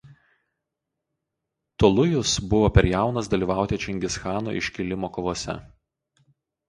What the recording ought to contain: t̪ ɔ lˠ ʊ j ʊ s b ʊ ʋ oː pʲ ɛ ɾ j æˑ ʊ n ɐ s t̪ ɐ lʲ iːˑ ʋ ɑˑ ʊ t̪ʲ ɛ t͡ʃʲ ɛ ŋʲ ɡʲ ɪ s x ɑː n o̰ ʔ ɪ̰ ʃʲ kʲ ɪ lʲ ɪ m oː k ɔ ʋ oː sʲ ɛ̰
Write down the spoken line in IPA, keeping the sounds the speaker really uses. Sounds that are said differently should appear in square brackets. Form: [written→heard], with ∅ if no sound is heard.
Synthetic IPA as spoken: t̪ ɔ lˠ ʊ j ʊ s b ʊ ʋ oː pʲ ɛ ɾ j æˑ ʊ n ɐ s [t̪→d̪] ɐ lʲ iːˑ ʋ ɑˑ ʊ t̪ʲ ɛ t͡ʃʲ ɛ ŋʲ ɡʲ ɪ s x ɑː n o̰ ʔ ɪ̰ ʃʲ kʲ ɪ lʲ ɪ m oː k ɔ ʋ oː sʲ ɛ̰

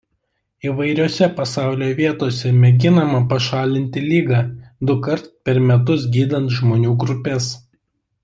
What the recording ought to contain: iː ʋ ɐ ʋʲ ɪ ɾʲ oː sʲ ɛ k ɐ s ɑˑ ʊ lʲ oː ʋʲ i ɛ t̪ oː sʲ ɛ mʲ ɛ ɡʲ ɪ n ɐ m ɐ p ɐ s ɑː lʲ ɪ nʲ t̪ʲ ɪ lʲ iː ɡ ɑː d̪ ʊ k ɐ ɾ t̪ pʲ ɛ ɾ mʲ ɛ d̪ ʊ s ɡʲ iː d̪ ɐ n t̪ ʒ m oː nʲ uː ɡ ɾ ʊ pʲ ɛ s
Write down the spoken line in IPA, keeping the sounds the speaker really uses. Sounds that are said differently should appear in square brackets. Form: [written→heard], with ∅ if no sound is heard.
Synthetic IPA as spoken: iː ʋ ɐ [ʋʲ→∅] ɪ ɾʲ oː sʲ ɛ [k→p] ɐ s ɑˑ ʊ lʲ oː ʋʲ i ɛ t̪ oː sʲ ɛ mʲ ɛ ɡʲ ɪ n ɐ m ɐ p ɐ [s→ʃ] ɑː lʲ ɪ nʲ t̪ʲ ɪ lʲ iː ɡ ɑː d̪ ʊ k ɐ ɾ t̪ pʲ ɛ ɾ mʲ ɛ [d̪→t̪] ʊ s ɡʲ iː d̪ ɐ n t̪ ʒ m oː nʲ uː ɡ ɾ ʊ pʲ ɛ s

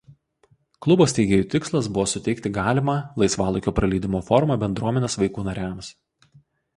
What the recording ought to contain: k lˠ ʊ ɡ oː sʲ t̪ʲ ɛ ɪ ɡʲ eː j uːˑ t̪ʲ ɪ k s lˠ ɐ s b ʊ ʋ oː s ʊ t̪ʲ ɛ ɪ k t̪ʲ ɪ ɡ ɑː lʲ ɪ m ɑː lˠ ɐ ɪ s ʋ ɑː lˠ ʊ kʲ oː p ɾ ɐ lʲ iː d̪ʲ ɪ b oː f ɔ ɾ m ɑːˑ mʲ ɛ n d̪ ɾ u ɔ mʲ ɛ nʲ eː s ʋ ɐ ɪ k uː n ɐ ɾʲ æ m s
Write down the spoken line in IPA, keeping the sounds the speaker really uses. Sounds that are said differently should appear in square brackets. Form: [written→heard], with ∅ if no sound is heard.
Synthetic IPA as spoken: k lˠ ʊ [ɡ→b] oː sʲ t̪ʲ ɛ ɪ ɡʲ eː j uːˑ t̪ʲ ɪ k s lˠ ɐ s b ʊ ʋ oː s ʊ t̪ʲ ɛ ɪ k t̪ʲ ɪ ɡ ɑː lʲ ɪ m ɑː lˠ ɐ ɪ s ʋ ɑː lˠ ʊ kʲ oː p ɾ ɐ lʲ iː d̪ʲ ɪ [b→m] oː f ɔ ɾ m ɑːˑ [mʲ→bʲ] ɛ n d̪ ɾ u ɔ mʲ ɛ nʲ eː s ʋ ɐ ɪ k uː n ɐ ɾʲ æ m s

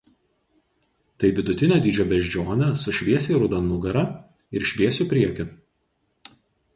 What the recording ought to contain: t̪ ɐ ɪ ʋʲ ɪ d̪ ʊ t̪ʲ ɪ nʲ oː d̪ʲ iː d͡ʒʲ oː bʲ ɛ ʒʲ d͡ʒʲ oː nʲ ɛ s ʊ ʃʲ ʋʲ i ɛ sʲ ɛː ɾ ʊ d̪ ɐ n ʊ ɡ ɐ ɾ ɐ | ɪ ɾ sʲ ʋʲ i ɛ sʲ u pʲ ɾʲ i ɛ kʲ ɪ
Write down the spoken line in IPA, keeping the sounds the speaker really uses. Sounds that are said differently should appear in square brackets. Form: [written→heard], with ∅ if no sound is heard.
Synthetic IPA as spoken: t̪ ɐ ɪ ʋʲ ɪ d̪ ʊ t̪ʲ ɪ nʲ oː d̪ʲ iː d͡ʒʲ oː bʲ ɛ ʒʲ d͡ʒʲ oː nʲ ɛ s ʊ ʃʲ ʋʲ i ɛ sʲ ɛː ɾ ʊ d̪ ɐ n ʊ ɡ ɐ ɾ ɐ | ɪ ɾ [sʲ→ʃʲ] ʋʲ i ɛ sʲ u pʲ ɾʲ i ɛ kʲ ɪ

